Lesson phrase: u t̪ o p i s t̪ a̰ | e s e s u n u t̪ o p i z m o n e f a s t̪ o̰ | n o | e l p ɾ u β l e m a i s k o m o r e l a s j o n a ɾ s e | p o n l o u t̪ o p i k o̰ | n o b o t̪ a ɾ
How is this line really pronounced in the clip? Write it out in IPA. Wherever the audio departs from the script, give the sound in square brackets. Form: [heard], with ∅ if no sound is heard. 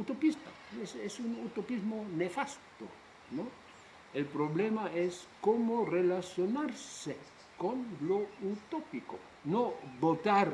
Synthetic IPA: u t̪ o p i s t̪ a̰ | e s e s u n u t̪ o p i z m o n e f a s t̪ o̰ | n o | e l p ɾ [o] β l e m a [e] s k o m o r e l a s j o n a ɾ s e | [k] o n l o u t̪ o p i k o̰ | n o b o t̪ a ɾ